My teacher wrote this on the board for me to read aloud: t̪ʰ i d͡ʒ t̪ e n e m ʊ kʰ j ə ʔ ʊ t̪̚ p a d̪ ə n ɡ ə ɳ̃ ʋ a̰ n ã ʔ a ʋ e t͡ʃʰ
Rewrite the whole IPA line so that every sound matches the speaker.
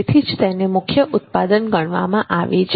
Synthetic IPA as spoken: t̪ʰ i d͡ʒ t̪ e n e m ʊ kʰ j ə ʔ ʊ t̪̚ p a d̪ ə n ɡ ə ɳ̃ ʋ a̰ m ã ʔ a ʋ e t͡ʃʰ